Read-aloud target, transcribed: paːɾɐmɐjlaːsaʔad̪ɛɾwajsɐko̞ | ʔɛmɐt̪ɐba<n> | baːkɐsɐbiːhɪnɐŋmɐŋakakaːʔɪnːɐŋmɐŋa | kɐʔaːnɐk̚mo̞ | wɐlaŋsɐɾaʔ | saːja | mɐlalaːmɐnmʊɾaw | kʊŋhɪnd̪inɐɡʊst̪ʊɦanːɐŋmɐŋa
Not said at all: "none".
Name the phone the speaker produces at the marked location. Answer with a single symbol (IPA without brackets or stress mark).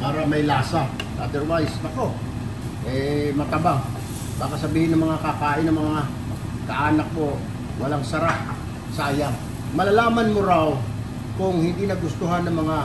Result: ŋ